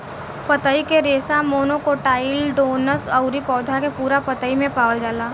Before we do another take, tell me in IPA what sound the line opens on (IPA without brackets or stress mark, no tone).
p